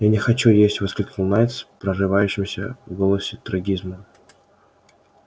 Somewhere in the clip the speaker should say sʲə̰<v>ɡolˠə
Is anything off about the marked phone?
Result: no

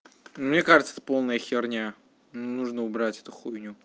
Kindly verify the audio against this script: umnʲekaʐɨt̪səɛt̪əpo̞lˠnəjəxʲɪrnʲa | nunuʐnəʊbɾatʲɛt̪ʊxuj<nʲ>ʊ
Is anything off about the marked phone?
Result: no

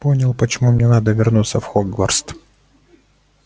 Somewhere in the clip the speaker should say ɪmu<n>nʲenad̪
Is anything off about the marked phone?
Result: yes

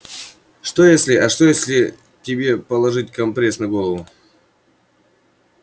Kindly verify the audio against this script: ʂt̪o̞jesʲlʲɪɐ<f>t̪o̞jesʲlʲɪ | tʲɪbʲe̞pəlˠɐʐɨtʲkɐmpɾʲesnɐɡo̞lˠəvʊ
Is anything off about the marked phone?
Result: yes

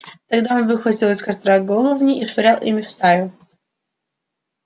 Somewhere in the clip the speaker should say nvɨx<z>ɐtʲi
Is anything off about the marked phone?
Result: yes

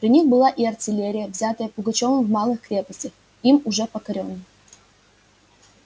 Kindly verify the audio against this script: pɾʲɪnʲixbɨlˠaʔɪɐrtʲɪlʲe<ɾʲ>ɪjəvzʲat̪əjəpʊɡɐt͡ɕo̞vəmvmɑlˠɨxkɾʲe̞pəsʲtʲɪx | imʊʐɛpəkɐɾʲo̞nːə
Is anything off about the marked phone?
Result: no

